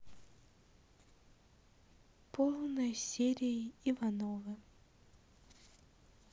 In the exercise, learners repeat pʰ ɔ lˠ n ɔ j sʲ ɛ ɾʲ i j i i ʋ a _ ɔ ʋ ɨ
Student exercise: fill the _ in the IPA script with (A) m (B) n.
B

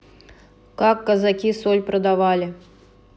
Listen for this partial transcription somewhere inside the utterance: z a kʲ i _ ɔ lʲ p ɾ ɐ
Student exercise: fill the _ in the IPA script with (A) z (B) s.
B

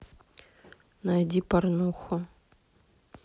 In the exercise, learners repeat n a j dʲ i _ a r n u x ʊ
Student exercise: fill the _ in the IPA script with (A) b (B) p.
B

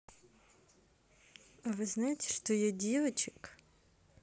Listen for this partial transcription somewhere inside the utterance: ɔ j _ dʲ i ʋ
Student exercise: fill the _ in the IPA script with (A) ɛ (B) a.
A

